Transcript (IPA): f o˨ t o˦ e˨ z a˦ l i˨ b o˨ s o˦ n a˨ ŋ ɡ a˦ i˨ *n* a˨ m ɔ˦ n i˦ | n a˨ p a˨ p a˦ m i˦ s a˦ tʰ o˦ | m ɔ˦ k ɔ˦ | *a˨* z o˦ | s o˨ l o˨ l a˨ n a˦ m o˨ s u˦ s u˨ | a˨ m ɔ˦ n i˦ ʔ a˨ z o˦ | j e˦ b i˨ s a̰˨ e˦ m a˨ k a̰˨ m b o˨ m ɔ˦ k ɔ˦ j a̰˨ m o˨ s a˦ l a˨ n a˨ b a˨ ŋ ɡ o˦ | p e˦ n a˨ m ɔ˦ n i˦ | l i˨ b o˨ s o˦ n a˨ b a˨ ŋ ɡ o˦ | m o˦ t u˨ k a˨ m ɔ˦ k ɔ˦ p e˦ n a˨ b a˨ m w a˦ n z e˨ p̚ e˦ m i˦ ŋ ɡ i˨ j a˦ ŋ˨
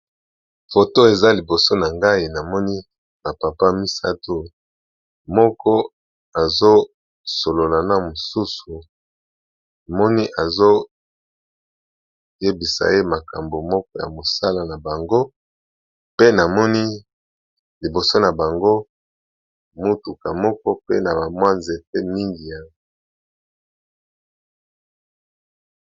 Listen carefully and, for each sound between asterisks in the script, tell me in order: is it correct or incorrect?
correct, correct

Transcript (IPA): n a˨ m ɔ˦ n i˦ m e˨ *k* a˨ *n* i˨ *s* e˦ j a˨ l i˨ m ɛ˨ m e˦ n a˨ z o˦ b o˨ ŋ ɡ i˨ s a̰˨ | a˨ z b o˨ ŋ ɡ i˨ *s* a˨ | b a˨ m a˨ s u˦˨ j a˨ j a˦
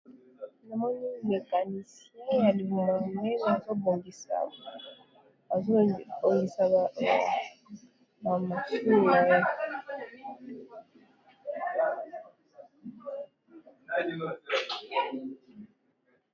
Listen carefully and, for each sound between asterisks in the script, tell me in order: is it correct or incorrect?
correct, correct, correct, correct

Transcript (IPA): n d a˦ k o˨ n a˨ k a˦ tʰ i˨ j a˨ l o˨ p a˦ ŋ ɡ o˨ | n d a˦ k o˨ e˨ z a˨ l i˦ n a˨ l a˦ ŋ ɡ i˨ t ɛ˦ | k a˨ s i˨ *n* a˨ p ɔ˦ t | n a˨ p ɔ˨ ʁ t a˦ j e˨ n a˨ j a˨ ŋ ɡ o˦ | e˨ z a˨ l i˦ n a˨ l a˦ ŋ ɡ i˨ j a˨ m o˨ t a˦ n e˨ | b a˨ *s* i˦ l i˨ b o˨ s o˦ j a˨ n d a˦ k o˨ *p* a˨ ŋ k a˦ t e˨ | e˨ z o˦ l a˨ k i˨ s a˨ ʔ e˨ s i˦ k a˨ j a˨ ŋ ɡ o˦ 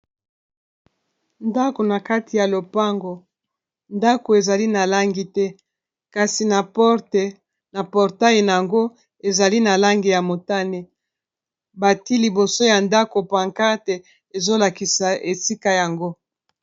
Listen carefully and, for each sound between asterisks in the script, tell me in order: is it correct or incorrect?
correct, incorrect: t, correct

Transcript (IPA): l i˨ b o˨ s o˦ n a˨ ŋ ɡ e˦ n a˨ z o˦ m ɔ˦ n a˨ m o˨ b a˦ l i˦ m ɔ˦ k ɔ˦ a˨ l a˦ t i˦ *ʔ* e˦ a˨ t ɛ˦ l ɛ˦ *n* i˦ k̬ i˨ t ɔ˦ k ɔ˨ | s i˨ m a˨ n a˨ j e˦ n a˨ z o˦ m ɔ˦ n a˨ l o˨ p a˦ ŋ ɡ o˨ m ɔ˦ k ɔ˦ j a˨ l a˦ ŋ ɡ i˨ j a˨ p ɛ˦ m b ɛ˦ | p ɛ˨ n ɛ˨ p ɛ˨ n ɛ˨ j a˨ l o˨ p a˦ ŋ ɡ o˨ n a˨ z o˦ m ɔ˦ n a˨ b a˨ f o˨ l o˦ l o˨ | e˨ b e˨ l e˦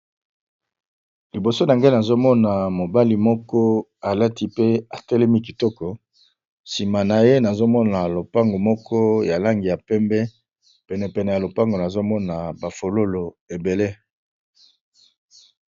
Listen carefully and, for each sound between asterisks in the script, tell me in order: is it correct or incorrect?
incorrect: p, incorrect: m

